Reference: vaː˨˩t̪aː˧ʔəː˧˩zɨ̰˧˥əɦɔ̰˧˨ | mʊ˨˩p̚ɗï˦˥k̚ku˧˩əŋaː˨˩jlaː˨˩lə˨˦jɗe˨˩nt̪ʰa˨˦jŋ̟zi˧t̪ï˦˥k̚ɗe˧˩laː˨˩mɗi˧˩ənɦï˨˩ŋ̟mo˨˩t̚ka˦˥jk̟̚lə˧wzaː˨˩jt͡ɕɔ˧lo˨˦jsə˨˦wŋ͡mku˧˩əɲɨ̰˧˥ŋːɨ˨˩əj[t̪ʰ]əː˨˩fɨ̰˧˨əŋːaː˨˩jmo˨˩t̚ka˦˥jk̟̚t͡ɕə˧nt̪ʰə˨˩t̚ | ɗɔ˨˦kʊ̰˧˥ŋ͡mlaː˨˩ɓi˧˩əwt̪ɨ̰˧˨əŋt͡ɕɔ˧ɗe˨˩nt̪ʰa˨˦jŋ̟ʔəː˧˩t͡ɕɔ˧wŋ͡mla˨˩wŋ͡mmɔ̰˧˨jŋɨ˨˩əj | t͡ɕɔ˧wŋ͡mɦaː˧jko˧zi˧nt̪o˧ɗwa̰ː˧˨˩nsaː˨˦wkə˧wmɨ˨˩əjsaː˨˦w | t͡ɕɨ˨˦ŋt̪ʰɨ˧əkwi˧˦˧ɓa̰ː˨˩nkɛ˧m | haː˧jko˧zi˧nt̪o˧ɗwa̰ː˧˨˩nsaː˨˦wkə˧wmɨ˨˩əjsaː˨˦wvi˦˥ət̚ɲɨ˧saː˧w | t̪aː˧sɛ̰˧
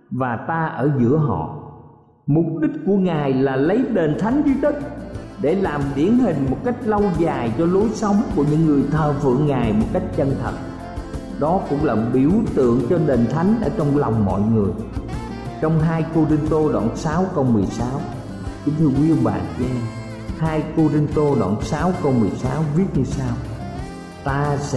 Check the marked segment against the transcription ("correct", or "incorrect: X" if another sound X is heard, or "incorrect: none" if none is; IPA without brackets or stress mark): correct